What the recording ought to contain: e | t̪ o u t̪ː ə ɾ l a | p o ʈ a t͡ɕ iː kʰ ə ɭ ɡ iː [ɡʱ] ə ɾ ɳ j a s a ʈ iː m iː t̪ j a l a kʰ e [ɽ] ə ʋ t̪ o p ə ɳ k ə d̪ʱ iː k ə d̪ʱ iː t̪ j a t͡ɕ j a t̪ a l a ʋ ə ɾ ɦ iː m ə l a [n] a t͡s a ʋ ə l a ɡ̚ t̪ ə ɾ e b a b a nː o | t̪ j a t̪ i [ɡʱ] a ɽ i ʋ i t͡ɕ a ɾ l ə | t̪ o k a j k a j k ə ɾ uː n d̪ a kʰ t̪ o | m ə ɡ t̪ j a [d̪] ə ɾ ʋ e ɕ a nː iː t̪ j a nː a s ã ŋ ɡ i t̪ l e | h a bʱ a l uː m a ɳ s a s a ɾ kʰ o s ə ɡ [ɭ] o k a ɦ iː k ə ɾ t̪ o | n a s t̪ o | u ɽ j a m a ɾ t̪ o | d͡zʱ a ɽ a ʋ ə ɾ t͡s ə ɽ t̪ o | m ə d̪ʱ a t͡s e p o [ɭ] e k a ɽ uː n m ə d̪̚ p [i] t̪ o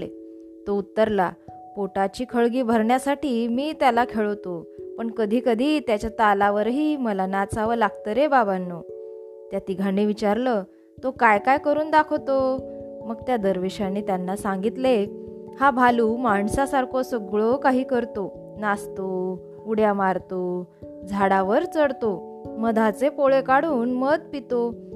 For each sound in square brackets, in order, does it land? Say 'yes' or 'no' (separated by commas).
no, no, yes, yes, yes, yes, yes, yes